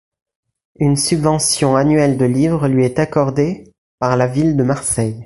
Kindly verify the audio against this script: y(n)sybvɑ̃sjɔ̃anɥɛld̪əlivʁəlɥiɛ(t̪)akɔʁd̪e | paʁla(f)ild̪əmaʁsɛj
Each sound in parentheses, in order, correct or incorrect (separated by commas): correct, correct, incorrect